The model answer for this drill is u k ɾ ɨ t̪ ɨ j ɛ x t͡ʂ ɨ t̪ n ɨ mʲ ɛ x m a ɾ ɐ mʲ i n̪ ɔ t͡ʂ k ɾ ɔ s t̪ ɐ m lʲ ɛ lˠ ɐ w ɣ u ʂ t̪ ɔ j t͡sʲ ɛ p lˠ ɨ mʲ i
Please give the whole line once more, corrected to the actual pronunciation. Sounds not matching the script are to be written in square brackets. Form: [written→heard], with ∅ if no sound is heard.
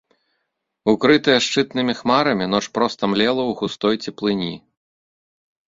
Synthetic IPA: u k ɾ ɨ t̪ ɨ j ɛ [x→ʂ] t͡ʂ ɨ t̪ n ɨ mʲ [ɛ→i] x m a ɾ ɐ mʲ i n̪ ɔ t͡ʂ [k→p] ɾ ɔ s t̪ ɐ m lʲ ɛ lˠ ɐ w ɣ u [ʂ→s] t̪ ɔ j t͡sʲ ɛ p lˠ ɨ [mʲ→nʲ] i